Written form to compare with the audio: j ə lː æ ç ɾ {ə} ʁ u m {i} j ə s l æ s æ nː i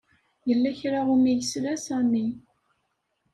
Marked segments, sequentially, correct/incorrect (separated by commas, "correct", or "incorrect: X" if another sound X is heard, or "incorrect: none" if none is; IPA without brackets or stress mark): incorrect: a, correct